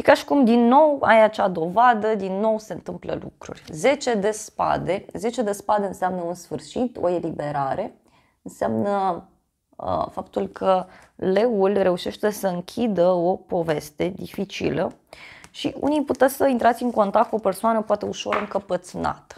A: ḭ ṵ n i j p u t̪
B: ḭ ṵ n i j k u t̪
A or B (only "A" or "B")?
A